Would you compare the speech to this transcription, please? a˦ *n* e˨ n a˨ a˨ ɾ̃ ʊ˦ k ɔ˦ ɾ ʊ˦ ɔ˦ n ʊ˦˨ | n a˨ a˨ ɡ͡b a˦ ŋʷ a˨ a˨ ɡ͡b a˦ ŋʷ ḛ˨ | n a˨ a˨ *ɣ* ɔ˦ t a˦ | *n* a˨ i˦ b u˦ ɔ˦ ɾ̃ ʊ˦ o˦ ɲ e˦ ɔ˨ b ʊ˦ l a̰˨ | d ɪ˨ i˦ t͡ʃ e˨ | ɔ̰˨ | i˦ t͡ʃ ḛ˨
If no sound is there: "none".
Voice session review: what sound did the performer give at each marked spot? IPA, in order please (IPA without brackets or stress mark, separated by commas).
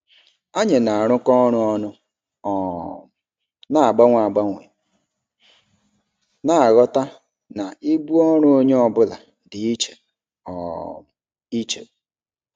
ɲ, ɣ, n